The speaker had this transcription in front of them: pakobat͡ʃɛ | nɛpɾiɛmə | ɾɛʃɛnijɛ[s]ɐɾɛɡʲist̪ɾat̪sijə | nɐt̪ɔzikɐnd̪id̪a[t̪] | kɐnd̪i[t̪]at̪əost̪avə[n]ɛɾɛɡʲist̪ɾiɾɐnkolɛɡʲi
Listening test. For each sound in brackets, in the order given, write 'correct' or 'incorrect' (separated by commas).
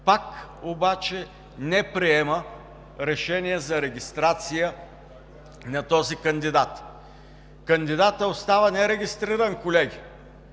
incorrect, correct, incorrect, correct